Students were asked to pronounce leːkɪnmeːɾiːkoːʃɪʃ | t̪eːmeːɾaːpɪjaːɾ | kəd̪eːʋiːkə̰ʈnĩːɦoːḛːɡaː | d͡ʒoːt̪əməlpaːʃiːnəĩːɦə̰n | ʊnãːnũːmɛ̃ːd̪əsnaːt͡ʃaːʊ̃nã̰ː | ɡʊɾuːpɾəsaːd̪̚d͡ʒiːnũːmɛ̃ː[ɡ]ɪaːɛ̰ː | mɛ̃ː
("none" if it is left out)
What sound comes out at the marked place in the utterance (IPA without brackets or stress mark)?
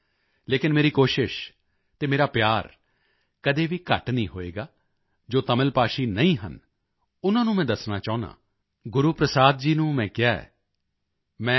k